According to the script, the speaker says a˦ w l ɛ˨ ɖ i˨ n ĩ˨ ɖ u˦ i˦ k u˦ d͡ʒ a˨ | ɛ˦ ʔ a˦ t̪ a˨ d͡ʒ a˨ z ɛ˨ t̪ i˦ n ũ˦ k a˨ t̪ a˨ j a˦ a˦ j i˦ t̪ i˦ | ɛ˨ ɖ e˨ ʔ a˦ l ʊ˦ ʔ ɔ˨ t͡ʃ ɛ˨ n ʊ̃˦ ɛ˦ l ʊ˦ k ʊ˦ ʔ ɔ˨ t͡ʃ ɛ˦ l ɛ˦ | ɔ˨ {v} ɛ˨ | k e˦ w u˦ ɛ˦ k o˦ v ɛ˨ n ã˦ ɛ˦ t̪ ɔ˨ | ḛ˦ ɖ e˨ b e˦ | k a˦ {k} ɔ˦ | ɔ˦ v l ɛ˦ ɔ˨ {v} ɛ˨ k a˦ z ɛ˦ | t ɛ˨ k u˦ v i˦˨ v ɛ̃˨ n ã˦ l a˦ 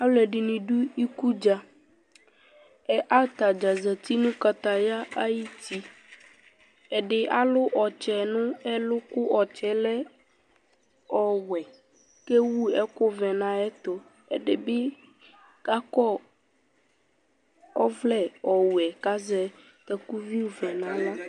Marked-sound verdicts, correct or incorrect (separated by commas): incorrect, correct, incorrect